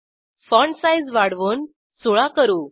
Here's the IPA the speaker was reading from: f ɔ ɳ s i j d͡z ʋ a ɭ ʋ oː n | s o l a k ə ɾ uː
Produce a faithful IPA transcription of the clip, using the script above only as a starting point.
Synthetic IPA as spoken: f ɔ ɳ s a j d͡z ʋ a ɽ ʋ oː n | s o ɭ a k ə ɾ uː